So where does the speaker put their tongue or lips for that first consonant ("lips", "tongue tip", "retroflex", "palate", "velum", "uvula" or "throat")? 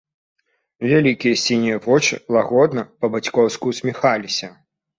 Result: lips